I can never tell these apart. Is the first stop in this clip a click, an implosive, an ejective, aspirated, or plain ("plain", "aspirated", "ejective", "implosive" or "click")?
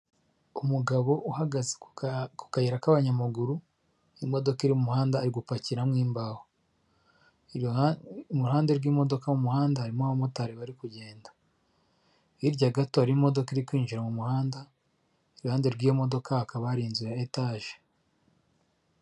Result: plain